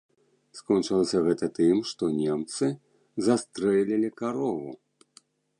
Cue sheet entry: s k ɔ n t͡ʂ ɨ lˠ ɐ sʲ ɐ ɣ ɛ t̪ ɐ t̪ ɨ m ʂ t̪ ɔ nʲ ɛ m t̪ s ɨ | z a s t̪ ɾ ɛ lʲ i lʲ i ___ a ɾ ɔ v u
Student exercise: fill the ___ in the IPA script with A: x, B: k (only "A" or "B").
B